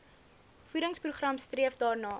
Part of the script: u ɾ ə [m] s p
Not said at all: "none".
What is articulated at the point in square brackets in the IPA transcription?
ŋ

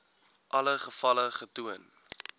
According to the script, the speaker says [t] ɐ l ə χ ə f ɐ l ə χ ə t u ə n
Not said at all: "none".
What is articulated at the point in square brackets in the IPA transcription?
ʔ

